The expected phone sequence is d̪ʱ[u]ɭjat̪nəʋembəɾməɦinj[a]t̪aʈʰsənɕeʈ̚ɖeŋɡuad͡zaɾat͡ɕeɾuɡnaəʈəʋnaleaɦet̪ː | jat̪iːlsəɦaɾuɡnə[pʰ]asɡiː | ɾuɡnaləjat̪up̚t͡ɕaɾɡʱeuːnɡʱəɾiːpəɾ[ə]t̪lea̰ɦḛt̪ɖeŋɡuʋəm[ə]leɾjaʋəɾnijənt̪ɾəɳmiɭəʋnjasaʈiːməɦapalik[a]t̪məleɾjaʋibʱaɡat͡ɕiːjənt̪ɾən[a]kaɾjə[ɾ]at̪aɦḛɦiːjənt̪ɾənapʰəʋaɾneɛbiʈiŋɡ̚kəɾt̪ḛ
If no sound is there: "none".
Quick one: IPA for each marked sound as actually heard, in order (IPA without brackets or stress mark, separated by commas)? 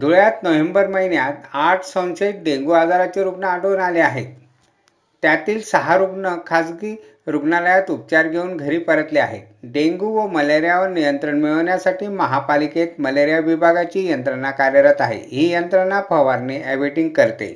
u, a, kʰ, ə, ə, e, a, ɾ